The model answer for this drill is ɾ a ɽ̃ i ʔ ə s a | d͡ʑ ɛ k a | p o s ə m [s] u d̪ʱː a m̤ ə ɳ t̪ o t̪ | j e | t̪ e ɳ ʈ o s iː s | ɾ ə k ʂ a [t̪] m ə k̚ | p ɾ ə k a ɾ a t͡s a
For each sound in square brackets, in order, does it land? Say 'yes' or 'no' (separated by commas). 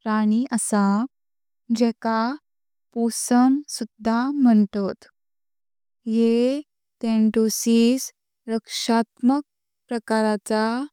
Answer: yes, yes